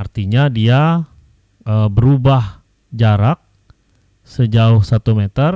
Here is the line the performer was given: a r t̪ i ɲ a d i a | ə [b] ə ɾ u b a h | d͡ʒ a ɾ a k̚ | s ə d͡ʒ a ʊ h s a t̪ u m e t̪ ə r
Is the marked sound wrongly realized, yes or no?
no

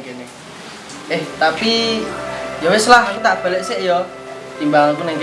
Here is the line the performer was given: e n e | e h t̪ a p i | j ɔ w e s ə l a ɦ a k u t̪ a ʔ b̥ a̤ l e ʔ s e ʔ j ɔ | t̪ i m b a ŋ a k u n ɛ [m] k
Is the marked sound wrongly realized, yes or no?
yes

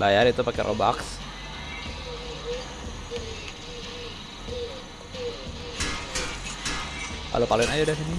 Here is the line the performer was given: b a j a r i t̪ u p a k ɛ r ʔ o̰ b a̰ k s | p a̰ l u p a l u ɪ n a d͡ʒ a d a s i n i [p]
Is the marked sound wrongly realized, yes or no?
yes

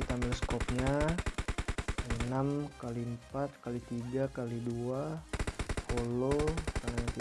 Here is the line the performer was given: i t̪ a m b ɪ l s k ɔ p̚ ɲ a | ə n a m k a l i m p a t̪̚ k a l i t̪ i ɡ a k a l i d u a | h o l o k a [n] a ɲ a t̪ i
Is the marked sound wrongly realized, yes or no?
no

